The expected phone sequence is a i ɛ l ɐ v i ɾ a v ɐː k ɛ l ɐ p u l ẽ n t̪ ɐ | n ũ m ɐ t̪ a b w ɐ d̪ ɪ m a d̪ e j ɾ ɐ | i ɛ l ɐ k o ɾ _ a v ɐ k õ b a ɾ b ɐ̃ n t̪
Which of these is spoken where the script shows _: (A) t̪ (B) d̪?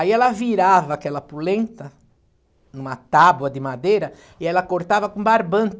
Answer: A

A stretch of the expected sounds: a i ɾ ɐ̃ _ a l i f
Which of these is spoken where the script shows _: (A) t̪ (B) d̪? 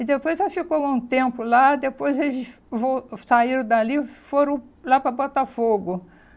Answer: B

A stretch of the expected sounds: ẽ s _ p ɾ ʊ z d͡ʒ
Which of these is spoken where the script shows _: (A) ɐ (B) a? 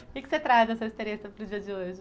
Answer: A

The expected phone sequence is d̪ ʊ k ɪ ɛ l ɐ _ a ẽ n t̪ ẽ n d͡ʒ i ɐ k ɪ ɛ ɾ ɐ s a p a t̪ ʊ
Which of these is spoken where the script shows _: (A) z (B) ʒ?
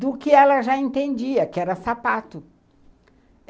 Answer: B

